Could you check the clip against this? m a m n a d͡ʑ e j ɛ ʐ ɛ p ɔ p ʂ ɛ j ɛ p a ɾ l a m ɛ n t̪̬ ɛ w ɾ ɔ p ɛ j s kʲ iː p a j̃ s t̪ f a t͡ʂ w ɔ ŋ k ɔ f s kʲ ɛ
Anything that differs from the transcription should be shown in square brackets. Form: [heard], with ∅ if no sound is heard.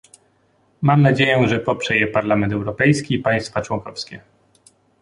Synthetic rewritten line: m a m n a d͡ʑ e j ɛ ʐ ɛ p ɔ p ʂ ɛ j ɛ p a ɾ l a m ɛ n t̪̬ ɛ w ɾ ɔ p ɛ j s kʲ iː p a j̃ s t̪ f a t͡ʂ w ɔ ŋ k ɔ f s kʲ ɛ